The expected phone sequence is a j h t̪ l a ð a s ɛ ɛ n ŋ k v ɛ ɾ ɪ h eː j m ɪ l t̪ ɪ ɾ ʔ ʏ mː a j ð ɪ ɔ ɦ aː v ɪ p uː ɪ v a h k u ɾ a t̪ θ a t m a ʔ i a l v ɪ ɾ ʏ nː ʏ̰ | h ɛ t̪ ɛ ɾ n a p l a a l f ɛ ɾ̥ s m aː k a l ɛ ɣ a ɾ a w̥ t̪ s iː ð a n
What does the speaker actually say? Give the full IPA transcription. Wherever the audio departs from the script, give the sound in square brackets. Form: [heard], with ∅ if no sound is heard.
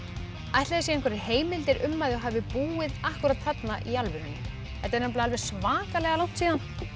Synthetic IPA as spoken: a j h t̪ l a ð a s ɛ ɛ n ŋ k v ɛ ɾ ɪ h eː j m ɪ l t̪ ɪ ɾ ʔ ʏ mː a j ð ɪ ɔ ɦ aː v ɪ p uː ɪ [ð] a h k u ɾ a t̪ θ a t [n] a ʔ i a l v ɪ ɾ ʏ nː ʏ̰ | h ɛ t̪ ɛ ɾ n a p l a a l [v] ɛ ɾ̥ s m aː k a l ɛ ɣ a [l] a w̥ t̪ s iː ð a n